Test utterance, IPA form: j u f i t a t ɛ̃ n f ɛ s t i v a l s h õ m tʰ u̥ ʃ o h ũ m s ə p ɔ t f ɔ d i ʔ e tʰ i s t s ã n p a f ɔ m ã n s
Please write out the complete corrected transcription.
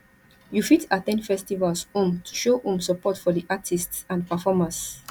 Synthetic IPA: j u f i t a t ɛ̃ n f ɛ s t i v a l s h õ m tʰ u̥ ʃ o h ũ m s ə p ɔ t f ɔ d i ʔ a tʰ i s t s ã n p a f ɔ m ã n s